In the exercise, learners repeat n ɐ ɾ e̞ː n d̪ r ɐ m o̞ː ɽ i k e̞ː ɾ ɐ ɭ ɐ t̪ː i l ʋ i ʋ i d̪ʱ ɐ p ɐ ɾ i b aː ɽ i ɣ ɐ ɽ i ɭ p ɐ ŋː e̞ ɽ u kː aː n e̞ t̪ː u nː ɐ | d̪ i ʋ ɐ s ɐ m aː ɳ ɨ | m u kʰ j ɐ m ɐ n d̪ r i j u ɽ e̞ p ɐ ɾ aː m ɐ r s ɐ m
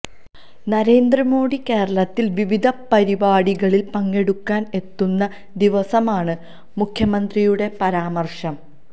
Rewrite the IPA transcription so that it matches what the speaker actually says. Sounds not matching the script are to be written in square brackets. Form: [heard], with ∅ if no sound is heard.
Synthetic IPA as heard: n ɐ ɾ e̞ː n d̪ r ɐ m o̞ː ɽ i k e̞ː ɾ ɐ ɭ ɐ t̪ː i l ʋ i ʋ i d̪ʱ ɐ p ɐ ɾ i b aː ɽ i ɣ ɐ [ɭ] i [l] p ɐ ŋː e̞ ɽ u kː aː n e̞ t̪ː u nː ɐ | d̪ i ʋ ɐ s ɐ m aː ɳ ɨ | m u kʰ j ɐ m ɐ n d̪ r i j u ɽ e̞ p ɐ ɾ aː m ɐ r [ʂ] ɐ m

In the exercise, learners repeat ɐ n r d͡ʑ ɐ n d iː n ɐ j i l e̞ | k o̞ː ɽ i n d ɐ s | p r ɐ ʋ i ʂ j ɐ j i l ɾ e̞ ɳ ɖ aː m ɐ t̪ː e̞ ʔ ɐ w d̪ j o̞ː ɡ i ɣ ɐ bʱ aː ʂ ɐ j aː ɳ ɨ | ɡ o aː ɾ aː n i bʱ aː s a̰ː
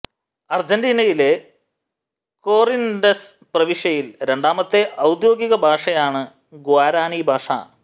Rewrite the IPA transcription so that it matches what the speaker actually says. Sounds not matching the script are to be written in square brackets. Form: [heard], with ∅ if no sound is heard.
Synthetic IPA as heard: ɐ [∅] r d͡ʑ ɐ n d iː n ɐ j i l e̞ | k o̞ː [r] i n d ɐ s | p r ɐ ʋ i ʂ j ɐ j i l ɾ e̞ ɳ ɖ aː m ɐ t̪ː e̞ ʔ ɐ w d̪ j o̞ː ɡ i ɣ ɐ bʱ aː ʂ ɐ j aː ɳ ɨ | ɡ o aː ɾ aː n i bʱ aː [ʂ] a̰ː

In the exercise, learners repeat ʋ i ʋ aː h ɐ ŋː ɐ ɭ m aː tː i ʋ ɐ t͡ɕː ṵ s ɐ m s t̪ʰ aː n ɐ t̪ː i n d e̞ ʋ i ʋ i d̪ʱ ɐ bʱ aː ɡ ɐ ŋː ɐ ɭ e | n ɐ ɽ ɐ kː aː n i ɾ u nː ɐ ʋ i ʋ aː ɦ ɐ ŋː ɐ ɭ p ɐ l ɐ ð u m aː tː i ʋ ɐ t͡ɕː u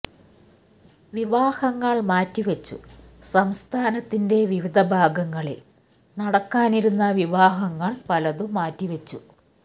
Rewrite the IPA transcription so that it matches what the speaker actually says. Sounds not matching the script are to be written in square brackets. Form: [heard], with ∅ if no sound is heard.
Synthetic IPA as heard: ʋ i ʋ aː h ɐ ŋː ɐ ɭ m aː tː i ʋ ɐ t͡ɕː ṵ s ɐ m s t̪ʰ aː n ɐ t̪ː i n d e̞ ʋ i ʋ i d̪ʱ ɐ bʱ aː ɡ ɐ ŋː ɐ ɭ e | n ɐ ɽ ɐ kː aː n i ɾ u nː ɐ ʋ i ʋ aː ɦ ɐ ŋː ɐ ɭ p ɐ l ɐ ð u m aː tː i ʋ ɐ t͡ɕː u

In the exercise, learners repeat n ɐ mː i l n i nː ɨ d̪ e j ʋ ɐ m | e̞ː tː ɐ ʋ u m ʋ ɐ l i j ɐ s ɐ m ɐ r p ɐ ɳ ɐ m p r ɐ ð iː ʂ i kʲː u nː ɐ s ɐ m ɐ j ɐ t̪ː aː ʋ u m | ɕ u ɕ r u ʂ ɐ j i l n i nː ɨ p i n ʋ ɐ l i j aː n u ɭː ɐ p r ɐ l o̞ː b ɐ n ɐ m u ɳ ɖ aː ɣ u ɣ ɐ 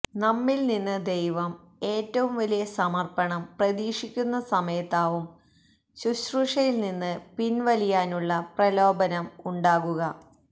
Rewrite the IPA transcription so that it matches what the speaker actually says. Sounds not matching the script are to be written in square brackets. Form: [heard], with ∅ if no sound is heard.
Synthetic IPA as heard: n ɐ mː i l n i nː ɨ d̪ e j ʋ ɐ m | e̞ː tː ɐ ʋ u m ʋ ɐ l i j ɐ s ɐ m ɐ r p ɐ ɳ ɐ m p r ɐ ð iː ʂ i kʲː u nː ɐ s ɐ m ɐ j ɐ t̪ː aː ʋ u m | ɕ u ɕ r u ʂ ɐ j i l n i nː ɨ p i n ʋ ɐ l i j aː n u ɭː ɐ p r ɐ l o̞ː b ɐ n ɐ m u ɳ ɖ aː ɣ u ɣ ɐ

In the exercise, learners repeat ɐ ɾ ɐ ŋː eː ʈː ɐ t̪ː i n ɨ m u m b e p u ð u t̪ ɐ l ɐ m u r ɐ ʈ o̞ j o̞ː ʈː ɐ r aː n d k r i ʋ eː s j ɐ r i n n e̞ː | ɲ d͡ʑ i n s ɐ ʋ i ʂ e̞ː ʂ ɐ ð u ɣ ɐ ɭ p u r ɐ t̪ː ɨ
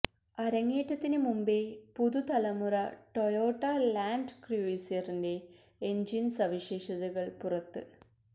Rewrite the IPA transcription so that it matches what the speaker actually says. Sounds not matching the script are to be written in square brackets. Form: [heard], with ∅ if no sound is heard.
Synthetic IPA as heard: ɐ ɾ ɐ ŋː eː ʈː ɐ t̪ː i n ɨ m u m b e p u ð u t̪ ɐ l ɐ m u r ɐ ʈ o̞ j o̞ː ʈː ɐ [l] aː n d k r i ʋ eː s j ɐ r i n [d] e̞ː | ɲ d͡ʑ i n s ɐ ʋ i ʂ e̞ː ʂ ɐ ð u ɣ ɐ ɭ p u r ɐ t̪ː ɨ

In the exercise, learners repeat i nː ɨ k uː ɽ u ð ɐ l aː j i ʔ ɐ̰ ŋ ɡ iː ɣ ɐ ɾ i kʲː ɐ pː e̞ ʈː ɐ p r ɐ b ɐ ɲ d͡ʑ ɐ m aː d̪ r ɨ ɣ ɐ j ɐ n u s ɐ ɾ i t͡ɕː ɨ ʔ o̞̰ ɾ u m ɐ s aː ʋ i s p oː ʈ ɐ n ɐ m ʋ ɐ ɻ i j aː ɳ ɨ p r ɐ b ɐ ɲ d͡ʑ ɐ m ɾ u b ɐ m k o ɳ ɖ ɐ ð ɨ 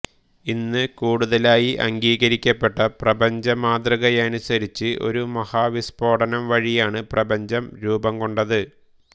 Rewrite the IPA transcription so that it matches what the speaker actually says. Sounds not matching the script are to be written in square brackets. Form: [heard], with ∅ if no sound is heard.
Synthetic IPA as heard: i nː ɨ k uː ɽ u ð ɐ l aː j i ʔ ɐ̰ ŋ ɡ iː ɣ ɐ ɾ i kʲː ɐ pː e̞ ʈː ɐ p r ɐ b ɐ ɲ d͡ʑ ɐ m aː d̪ r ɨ ɣ ɐ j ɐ n u s ɐ ɾ i t͡ɕː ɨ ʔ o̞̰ ɾ u m ɐ [h] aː ʋ i s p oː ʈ ɐ n ɐ m ʋ ɐ ɻ i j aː ɳ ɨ p r ɐ b ɐ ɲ d͡ʑ ɐ m ɾ [uː] b ɐ m k o ɳ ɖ ɐ ð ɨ

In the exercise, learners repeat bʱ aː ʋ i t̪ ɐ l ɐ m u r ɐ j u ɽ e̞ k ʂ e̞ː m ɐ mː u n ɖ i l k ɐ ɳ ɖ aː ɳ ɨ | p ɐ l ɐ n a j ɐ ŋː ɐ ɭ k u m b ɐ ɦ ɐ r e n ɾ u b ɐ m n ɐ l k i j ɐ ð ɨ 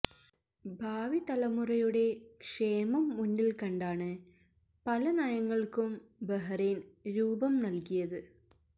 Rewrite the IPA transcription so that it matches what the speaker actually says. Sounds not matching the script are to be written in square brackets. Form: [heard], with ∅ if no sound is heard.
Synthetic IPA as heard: bʱ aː ʋ i t̪ ɐ l ɐ m u r ɐ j u ɽ e̞ k ʂ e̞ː m ɐ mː u n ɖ i l k ɐ ɳ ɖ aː ɳ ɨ | p ɐ l ɐ n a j ɐ ŋː ɐ ɭ k u m b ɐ ɦ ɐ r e n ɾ [uː] b ɐ m n ɐ l k i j ɐ ð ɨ

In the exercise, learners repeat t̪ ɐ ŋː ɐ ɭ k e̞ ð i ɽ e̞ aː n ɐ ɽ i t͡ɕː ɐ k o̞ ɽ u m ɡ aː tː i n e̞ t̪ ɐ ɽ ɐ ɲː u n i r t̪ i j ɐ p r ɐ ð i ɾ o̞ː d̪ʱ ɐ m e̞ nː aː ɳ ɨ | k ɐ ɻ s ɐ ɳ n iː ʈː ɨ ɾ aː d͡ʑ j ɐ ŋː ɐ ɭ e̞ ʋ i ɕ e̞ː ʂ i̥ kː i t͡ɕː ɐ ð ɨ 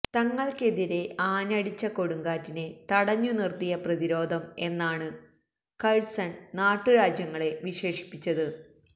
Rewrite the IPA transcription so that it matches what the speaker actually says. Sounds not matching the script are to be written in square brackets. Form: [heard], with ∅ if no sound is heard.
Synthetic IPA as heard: t̪ ɐ ŋː ɐ ɭ k e̞ ð i [ɾ] e̞ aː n ɐ ɽ i t͡ɕː ɐ k o̞ ɽ u [ŋ] ɡ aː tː i n e̞ t̪ ɐ ɽ ɐ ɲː u n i r t̪ i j ɐ p r ɐ ð i ɾ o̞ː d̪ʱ ɐ m e̞ nː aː ɳ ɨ | k ɐ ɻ s ɐ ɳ n [aː] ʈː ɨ ɾ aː d͡ʑ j ɐ ŋː ɐ ɭ e̞ ʋ i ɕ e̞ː ʂ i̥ [pː] i t͡ɕː ɐ ð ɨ

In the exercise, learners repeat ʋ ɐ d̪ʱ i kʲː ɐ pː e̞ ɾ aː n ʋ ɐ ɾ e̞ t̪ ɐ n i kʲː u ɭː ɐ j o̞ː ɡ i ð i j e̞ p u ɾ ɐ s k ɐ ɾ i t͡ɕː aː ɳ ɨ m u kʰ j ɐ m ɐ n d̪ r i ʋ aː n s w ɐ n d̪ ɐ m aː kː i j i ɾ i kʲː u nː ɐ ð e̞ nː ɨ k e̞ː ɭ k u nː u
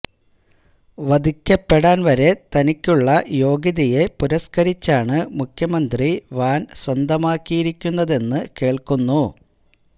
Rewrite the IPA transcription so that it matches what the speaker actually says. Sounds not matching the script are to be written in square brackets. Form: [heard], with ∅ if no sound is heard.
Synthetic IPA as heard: ʋ ɐ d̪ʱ i kʲː ɐ pː e̞ [ɽ] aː n ʋ ɐ ɾ e̞ t̪ ɐ n i kʲː u ɭː ɐ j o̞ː ɡ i ð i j e̞ p u ɾ ɐ s k ɐ ɾ i t͡ɕː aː ɳ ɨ m u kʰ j ɐ m ɐ n d̪ r i ʋ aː n s w ɐ n d̪ ɐ m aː kː i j i ɾ i kʲː u nː ɐ ð e̞ nː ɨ k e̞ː ɭ k u nː u

